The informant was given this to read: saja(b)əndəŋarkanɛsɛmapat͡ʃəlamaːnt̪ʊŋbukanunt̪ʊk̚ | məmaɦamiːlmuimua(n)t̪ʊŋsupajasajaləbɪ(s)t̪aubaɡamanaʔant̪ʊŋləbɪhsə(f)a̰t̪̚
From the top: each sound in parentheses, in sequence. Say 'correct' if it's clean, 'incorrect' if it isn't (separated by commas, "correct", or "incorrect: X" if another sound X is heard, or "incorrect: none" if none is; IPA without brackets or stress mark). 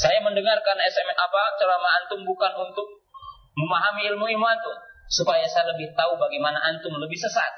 incorrect: m, correct, incorrect: h, incorrect: s